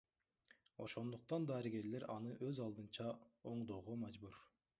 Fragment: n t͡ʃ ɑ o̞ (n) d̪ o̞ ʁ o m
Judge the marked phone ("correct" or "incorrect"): incorrect